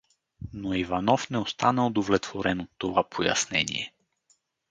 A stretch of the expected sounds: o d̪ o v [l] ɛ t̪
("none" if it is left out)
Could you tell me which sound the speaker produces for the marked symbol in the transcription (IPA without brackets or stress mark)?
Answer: l